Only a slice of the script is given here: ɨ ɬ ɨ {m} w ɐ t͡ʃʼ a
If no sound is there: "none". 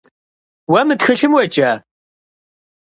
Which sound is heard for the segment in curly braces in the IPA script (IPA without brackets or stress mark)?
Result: m